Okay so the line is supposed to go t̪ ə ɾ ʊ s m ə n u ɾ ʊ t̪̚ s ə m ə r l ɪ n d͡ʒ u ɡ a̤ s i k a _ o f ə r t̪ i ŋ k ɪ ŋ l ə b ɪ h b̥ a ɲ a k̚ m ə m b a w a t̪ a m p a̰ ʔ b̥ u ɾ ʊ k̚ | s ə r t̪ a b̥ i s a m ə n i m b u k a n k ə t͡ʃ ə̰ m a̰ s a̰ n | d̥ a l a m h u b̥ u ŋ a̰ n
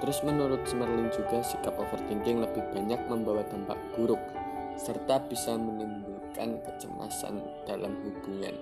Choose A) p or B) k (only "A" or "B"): A